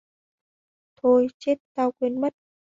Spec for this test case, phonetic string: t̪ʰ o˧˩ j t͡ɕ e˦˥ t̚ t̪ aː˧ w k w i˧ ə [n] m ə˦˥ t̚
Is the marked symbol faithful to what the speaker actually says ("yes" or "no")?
yes